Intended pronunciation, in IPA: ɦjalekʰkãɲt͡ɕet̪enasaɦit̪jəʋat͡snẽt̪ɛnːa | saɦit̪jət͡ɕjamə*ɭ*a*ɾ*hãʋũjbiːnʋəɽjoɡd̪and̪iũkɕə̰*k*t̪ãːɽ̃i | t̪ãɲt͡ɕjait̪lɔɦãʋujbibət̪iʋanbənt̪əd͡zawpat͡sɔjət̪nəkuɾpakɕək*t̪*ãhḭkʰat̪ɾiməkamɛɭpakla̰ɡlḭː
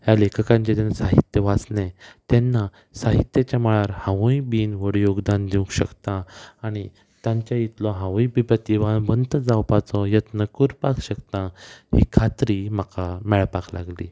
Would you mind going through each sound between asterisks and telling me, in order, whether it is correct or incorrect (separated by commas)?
correct, correct, correct, correct